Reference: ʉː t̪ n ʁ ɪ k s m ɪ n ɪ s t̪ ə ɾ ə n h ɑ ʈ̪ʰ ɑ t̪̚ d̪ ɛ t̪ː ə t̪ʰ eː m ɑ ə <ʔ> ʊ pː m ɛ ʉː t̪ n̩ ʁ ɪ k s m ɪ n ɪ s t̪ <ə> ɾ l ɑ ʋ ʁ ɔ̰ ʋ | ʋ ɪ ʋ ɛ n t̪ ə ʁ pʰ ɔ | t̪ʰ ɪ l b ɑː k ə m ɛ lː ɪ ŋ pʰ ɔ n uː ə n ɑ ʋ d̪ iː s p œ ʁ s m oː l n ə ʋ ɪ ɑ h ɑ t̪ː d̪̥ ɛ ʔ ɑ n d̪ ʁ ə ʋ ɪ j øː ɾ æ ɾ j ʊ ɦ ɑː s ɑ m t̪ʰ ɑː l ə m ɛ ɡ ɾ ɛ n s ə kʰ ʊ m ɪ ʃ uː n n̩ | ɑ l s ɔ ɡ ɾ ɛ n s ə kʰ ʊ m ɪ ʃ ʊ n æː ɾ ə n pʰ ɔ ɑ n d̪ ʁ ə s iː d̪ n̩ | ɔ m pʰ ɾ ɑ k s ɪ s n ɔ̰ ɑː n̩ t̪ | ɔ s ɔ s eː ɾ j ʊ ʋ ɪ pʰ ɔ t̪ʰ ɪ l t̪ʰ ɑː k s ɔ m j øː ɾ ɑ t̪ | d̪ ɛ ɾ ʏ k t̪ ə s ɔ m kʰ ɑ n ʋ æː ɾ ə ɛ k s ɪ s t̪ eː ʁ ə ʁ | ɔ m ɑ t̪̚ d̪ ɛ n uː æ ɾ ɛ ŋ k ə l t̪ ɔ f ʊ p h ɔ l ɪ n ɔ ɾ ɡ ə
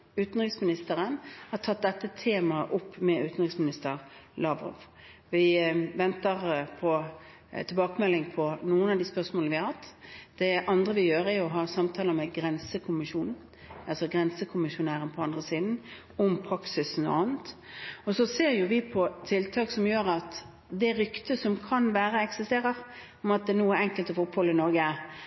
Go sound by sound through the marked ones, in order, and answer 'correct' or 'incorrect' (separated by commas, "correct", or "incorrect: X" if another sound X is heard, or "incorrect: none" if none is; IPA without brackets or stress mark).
correct, correct